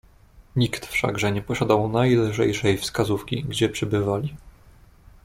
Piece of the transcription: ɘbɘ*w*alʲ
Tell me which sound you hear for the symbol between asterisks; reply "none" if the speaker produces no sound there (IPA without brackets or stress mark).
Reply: v